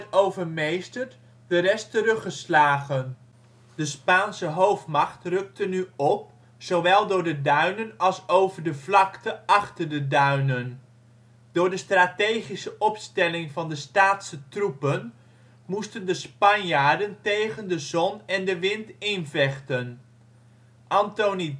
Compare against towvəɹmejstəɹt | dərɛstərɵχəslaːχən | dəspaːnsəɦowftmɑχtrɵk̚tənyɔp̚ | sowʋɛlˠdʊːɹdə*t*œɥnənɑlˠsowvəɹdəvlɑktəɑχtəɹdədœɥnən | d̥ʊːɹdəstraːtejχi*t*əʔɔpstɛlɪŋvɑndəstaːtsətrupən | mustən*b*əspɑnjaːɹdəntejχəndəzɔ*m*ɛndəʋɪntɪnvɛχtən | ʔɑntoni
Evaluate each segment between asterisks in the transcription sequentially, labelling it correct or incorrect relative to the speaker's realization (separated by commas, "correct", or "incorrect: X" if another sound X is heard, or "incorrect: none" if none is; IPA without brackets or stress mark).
incorrect: d, incorrect: s, incorrect: d, incorrect: n